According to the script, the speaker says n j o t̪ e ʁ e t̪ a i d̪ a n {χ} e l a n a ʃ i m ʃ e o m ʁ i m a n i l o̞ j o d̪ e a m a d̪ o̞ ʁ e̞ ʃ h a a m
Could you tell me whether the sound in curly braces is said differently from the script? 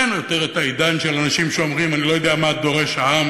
yes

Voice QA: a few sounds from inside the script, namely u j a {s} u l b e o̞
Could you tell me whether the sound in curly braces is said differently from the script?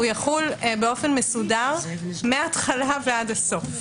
yes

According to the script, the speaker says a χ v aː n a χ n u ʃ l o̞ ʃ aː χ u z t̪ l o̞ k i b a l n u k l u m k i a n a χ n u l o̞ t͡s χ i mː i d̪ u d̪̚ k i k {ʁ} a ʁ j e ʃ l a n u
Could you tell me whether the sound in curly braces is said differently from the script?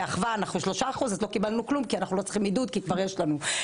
yes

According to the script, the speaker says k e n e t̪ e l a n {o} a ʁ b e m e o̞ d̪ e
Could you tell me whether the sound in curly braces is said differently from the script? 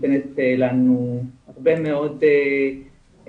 yes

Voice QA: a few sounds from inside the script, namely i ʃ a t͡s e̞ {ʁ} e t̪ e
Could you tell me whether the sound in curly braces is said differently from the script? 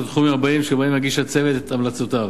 yes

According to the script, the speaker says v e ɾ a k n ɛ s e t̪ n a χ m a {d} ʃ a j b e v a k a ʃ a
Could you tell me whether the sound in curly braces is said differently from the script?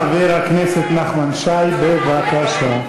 yes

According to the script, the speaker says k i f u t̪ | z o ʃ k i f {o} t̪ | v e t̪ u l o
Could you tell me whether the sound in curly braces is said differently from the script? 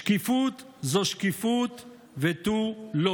yes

